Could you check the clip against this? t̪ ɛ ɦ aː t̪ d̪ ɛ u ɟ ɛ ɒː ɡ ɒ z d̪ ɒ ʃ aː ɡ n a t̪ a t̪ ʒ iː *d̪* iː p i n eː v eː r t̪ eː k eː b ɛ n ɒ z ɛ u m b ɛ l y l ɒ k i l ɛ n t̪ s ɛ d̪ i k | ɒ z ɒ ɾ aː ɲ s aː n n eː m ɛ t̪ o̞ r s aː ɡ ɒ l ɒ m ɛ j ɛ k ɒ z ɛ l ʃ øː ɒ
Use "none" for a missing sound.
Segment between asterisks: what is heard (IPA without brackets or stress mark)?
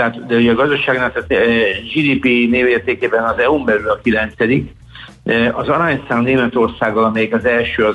d̪